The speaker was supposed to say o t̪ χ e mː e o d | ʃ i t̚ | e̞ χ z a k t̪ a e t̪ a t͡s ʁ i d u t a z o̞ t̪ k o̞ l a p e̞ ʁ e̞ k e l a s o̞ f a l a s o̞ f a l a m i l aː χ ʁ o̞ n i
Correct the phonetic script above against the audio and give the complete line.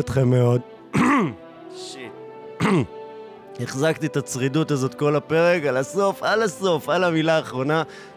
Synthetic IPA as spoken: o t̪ χ e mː e o d | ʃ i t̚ | e̞ χ z a k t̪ i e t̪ a t͡s ʁ i d u t a z o̞ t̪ k o̞ l a p e̞ ʁ e̞ k a l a s o̞ f a l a s o̞ f a l a m i l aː χ ʁ o̞ n a